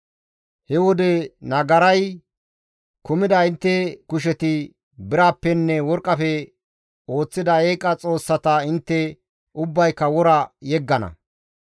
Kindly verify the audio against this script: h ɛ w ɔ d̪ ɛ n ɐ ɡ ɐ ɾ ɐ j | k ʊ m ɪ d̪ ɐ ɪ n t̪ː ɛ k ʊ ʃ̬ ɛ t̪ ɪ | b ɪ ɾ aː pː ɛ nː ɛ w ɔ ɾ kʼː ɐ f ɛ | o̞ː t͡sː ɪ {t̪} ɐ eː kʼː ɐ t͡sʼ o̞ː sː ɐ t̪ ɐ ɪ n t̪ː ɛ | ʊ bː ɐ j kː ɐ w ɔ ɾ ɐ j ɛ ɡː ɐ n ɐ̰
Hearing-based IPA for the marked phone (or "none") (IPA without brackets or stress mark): d̪